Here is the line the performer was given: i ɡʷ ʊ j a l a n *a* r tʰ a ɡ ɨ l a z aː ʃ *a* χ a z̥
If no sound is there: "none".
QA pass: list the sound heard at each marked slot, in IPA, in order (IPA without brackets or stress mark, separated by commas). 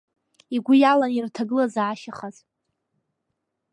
i, a